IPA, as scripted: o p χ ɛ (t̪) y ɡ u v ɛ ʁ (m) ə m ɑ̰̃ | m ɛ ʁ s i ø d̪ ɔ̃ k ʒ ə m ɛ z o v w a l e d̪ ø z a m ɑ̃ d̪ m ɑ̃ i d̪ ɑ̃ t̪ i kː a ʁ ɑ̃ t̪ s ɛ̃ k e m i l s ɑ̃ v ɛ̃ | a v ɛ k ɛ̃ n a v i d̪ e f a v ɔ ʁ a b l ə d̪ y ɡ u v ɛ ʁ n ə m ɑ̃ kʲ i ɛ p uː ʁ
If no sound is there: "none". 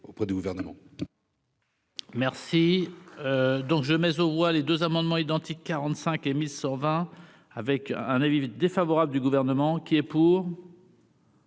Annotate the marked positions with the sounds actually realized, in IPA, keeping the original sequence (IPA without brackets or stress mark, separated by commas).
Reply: d̪, n